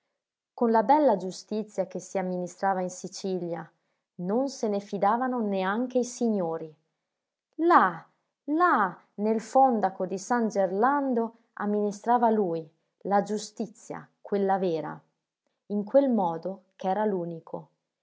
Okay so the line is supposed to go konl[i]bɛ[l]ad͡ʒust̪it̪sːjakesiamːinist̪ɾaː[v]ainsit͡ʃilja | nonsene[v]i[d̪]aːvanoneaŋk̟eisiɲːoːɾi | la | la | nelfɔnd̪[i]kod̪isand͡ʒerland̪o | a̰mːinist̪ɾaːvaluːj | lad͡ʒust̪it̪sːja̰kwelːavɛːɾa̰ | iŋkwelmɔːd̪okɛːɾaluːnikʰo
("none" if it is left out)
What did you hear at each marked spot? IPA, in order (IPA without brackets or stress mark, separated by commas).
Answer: a, lː, v, f, d̪, a